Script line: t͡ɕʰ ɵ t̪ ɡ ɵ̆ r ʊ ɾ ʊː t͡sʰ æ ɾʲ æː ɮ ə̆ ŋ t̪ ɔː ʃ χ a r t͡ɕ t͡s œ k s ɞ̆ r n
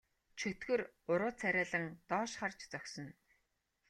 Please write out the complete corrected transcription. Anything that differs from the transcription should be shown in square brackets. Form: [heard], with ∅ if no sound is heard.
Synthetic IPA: t͡ɕʰ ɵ t̪ ɡ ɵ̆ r ʊ ɾ ʊː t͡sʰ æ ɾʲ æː ɮ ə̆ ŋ t̪ ɔː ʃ χ a r t͡ɕ t͡s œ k s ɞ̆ [∅] n